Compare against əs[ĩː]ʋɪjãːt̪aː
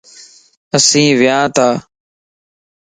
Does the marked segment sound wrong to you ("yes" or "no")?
no